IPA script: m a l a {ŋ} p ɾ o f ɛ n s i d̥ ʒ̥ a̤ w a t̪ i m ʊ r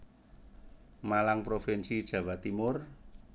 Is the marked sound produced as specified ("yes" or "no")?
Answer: yes